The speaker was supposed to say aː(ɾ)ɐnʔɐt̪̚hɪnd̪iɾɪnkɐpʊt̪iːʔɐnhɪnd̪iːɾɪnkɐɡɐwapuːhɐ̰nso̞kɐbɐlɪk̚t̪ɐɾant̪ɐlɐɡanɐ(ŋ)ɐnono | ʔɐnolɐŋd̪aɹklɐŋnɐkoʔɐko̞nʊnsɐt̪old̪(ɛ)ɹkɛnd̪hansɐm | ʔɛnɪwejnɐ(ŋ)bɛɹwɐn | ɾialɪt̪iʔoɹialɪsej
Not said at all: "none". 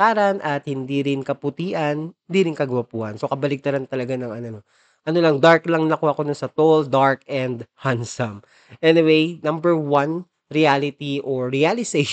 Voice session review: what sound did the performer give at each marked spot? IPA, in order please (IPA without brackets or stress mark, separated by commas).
ɾ, ŋ, a, m